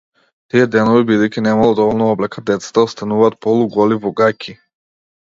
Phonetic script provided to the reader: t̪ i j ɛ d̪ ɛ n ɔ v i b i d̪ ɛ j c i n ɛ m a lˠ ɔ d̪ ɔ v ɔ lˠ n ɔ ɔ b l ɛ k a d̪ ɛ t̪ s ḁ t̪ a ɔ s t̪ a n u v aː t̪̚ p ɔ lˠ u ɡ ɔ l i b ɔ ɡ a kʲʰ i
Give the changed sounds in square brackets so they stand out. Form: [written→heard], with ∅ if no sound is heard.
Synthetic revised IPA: t̪ i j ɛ d̪ ɛ n ɔ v i b i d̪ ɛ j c i n ɛ m a lˠ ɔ d̪ ɔ v ɔ lˠ n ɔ ɔ b l ɛ k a d̪ ɛ t̪ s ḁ t̪ a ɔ s t̪ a n u v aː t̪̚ p ɔ lˠ u ɡ ɔ l i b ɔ ɡ a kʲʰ i